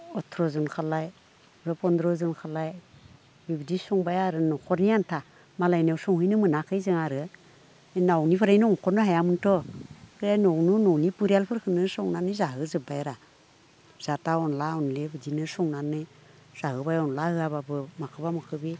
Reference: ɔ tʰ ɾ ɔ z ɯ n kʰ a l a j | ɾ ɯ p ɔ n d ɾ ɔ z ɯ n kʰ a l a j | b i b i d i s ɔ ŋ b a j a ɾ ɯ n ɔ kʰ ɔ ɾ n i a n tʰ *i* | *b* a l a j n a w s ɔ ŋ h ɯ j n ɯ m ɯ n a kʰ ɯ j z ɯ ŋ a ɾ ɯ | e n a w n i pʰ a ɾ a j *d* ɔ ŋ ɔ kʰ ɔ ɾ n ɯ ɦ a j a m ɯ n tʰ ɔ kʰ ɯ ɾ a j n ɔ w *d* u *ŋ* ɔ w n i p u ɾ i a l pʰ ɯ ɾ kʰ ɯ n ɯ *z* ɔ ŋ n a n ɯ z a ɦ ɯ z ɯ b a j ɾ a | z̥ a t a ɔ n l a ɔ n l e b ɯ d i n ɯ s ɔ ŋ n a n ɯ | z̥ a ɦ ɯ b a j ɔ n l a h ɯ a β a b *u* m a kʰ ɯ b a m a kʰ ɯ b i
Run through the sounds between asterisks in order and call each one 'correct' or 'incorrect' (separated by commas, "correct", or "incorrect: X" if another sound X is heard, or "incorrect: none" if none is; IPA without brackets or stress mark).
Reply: incorrect: a, incorrect: m, incorrect: n, incorrect: n, incorrect: n, incorrect: s, incorrect: ɯ